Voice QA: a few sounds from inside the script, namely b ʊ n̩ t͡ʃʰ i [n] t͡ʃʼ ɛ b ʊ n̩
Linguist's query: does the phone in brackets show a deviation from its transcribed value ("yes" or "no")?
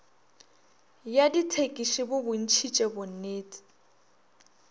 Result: yes